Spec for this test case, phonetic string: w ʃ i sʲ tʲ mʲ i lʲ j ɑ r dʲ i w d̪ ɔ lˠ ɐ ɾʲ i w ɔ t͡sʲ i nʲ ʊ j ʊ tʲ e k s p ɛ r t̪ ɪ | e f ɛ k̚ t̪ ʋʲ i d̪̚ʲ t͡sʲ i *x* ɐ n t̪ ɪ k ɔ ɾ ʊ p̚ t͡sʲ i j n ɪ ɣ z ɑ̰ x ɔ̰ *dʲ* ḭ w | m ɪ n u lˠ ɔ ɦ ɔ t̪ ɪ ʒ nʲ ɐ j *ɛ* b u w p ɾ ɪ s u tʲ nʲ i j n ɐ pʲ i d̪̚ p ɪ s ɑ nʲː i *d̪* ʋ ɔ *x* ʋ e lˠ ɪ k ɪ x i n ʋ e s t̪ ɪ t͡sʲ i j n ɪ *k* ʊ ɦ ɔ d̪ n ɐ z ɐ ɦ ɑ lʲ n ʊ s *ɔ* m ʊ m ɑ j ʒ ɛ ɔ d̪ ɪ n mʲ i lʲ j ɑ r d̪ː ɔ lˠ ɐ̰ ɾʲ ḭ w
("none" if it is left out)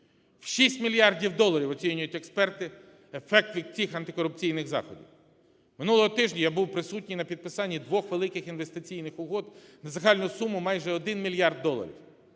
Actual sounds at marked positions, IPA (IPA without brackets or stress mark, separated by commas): x, dʲ, a, d̪, x, x, u